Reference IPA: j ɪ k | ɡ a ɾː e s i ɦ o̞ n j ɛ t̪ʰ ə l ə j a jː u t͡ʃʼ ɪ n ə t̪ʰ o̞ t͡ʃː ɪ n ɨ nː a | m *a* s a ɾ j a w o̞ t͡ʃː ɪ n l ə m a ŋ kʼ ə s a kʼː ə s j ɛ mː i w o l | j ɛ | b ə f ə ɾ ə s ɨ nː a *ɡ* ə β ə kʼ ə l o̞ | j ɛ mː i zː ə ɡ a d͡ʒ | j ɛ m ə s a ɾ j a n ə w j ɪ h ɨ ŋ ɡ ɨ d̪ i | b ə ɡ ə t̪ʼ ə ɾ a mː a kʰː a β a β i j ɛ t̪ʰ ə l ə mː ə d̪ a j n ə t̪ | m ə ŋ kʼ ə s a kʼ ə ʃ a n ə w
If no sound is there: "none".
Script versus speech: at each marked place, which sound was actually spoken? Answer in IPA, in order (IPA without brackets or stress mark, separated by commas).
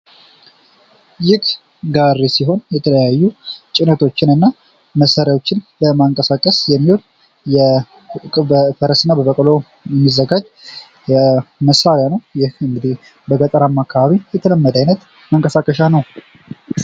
ə, b